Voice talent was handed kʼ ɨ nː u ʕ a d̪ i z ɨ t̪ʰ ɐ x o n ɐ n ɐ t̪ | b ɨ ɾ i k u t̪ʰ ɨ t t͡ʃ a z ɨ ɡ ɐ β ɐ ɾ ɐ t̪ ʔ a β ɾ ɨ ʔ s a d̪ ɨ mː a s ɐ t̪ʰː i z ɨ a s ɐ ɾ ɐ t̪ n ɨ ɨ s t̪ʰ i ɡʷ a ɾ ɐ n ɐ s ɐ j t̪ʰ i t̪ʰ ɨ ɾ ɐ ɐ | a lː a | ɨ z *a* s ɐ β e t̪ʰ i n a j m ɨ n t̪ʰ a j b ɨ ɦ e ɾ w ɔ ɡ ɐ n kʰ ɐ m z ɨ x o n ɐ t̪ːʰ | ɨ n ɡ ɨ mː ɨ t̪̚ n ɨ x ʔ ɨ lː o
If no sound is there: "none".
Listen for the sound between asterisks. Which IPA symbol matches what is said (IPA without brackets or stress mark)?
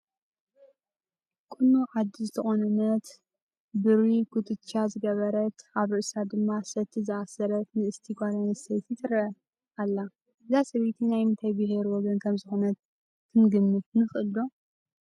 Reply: a